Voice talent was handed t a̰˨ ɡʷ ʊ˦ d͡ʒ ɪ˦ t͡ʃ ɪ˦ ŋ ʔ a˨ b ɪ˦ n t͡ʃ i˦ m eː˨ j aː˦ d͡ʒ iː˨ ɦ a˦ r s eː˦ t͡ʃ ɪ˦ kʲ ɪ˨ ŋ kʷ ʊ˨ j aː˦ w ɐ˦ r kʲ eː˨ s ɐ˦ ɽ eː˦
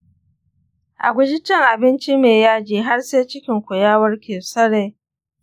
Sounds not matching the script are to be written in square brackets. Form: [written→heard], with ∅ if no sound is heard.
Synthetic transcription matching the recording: [t→ʔ] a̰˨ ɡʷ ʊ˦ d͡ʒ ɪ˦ t͡ʃ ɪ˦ ŋ ʔ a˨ b ɪ˦ n t͡ʃ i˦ m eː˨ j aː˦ d͡ʒ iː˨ ɦ a˦ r s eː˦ t͡ʃ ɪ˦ kʲ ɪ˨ ŋ kʷ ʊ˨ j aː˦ w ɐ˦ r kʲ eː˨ s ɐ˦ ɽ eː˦